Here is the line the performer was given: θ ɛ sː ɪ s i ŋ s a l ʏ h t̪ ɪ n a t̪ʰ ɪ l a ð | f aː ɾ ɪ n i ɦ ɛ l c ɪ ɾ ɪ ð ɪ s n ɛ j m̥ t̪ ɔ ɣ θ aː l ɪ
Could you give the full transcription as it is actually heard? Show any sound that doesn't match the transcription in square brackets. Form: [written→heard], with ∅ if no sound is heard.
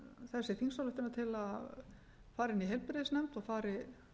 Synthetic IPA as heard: θ ɛ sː ɪ [s→θ] i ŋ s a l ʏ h t̪ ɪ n a t̪ʰ ɪ l a ð | f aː ɾ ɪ n i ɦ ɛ l [c→p] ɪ ɾ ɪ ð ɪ s n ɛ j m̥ t̪ ɔ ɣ [θ→f] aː [l→ɾ] ɪ